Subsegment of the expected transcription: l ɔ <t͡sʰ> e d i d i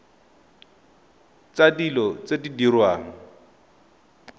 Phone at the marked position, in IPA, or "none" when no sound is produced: t͡s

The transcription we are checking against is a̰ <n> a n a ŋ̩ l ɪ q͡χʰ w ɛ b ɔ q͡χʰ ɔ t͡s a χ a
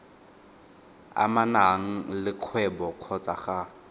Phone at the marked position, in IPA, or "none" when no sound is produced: m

